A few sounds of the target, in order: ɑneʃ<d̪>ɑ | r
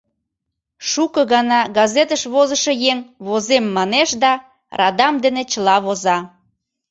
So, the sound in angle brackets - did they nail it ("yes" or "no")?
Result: yes